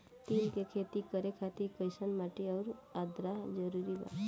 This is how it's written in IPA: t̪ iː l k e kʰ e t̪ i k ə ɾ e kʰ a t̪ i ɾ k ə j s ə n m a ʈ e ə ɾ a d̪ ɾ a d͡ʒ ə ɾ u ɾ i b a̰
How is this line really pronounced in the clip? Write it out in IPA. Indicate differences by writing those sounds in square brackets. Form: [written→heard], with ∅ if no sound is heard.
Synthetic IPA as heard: t̪ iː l k e kʰ e t̪ i k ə ɾ e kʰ a t̪ i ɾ k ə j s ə n m a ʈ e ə ɾ a d̪ ɾ a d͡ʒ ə ɾ u ɾ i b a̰